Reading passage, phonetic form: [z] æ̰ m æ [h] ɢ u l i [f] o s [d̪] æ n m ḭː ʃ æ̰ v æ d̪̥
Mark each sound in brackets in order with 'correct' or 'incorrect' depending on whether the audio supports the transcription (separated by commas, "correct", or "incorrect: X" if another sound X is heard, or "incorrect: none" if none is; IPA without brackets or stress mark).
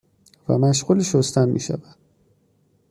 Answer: incorrect: v, incorrect: ʃ, incorrect: ʃ, incorrect: t̪